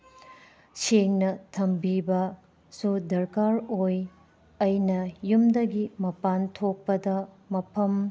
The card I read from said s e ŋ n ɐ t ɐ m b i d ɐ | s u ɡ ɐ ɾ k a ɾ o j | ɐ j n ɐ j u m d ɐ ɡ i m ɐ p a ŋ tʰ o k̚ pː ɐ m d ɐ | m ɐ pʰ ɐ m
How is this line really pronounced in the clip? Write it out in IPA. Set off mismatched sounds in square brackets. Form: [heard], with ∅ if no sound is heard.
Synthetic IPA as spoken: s e ŋ n ɐ [tʰ] ɐ m b i [b] ɐ | s u [d] ɐ ɾ k a ɾ o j | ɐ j n ɐ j u m d ɐ ɡ i m ɐ p a [n] tʰ o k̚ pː ɐ [∅] d ɐ | m ɐ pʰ ɐ m

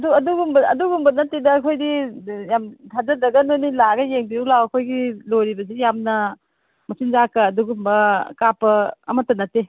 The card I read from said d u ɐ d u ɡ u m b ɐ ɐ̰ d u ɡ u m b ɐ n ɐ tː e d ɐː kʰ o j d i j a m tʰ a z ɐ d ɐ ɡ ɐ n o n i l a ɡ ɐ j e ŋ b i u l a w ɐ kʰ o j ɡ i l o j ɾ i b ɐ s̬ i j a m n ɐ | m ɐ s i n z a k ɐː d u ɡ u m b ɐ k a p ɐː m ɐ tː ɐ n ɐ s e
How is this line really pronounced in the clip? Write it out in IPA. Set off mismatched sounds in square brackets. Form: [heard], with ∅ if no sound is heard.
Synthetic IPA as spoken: d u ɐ d u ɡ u m b ɐ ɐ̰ d u ɡ u m b ɐ n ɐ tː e d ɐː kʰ o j d i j a m tʰ a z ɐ d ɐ ɡ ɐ n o n i l a ɡ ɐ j e ŋ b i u l a w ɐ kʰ o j ɡ i l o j ɾ i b ɐ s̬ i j a m n ɐ | m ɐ s i n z a k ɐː d u ɡ u m b ɐ k a p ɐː m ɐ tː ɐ n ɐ [t] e

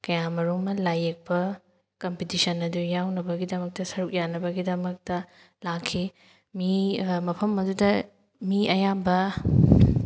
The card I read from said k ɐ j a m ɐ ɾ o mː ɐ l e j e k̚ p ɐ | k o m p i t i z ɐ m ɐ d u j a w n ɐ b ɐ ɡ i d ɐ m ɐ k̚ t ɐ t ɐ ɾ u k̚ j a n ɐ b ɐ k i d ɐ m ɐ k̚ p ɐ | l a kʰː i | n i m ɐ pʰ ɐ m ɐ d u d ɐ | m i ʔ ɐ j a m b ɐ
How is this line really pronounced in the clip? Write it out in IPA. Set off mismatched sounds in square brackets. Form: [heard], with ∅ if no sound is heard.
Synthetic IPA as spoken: k ɐ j a m ɐ ɾ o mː ɐ l [a] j e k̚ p ɐ | k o m p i t i [s] ɐ [n] ɐ d u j a w n ɐ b ɐ ɡ i d ɐ m ɐ k̚ t ɐ [s] ɐ ɾ u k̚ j a n ɐ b ɐ [ɡ] i d ɐ m ɐ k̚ [t] ɐ | l a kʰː i | [m] i m ɐ pʰ ɐ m ɐ d u d ɐ | m i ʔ ɐ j a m b ɐ

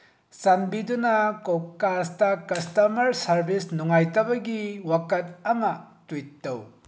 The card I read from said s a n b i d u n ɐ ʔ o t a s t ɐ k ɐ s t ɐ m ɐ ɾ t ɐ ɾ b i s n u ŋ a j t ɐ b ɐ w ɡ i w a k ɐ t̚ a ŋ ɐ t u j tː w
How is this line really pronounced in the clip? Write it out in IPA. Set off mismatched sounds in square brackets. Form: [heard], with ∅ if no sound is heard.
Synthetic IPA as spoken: s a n b i d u n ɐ [k] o [k] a s t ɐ k ɐ s t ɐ m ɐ ɾ [s] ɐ ɾ b i s n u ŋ a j t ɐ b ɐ [∅] ɡ i w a k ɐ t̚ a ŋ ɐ t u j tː w

